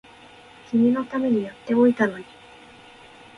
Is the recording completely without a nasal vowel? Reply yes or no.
yes